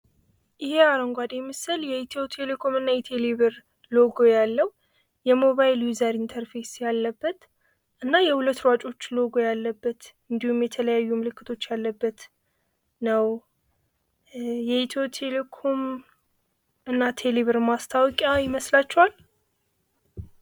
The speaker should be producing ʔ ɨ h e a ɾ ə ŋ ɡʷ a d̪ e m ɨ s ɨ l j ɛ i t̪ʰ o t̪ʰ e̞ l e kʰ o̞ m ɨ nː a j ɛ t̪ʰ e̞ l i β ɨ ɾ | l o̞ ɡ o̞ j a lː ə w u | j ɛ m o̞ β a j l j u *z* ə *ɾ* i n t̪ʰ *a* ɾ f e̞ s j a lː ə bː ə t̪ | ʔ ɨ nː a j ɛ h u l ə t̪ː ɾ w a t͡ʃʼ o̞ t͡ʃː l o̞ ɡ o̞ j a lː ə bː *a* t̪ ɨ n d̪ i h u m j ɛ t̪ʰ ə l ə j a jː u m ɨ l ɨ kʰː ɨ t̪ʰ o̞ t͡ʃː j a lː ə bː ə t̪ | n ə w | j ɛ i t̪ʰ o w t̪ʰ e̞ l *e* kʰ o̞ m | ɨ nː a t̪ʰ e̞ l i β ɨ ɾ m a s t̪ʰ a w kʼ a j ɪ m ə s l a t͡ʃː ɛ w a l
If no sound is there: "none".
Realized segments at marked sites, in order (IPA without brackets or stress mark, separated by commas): z, ɾ, ə, ə, e